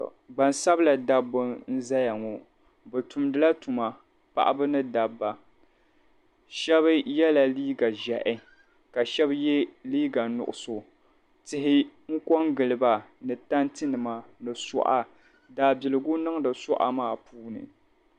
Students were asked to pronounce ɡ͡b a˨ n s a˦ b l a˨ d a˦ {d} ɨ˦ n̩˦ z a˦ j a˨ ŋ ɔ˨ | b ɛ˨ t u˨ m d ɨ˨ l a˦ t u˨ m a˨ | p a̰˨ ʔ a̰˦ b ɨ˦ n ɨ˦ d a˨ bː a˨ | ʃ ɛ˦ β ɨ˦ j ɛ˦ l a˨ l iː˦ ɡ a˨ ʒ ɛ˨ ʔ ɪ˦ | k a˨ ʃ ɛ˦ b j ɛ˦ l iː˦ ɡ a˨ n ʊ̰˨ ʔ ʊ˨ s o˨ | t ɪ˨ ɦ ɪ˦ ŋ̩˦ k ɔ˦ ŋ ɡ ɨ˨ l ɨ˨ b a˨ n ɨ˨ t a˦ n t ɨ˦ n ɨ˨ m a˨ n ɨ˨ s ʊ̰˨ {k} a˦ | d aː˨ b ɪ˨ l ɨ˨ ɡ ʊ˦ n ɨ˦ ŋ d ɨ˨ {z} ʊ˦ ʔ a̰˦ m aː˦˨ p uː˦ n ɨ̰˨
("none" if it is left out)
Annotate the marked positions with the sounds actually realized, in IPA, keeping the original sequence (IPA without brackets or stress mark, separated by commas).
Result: b, ʔ, s